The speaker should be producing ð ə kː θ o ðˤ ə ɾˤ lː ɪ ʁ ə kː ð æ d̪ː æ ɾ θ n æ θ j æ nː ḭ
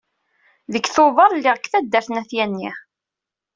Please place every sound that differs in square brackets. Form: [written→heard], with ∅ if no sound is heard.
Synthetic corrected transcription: ð ə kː θ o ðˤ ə ɾˤ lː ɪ ʁ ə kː [ð→θ] æ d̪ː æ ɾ θ n æ θ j æ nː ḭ